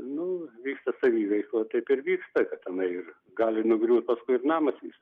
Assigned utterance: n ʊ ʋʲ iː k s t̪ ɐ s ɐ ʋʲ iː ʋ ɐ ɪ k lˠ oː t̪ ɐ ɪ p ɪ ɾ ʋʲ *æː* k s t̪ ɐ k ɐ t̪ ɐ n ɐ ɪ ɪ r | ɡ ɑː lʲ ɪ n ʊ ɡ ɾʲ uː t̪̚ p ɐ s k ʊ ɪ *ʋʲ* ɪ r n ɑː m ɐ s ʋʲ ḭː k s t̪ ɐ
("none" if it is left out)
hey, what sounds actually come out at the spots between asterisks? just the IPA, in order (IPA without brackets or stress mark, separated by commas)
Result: iː, none